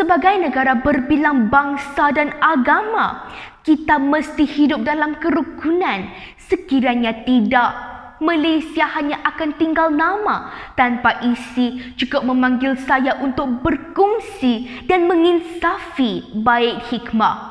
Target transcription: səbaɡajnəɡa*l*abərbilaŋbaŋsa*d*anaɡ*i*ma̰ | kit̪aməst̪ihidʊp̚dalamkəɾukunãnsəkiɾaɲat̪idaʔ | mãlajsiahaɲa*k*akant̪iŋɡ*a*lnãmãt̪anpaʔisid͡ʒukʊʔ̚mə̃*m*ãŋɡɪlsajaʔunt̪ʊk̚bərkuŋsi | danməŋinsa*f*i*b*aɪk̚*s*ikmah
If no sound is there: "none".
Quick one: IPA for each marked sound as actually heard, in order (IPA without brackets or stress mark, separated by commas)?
ɾ, d, a, ʔ, a, m, f, b, h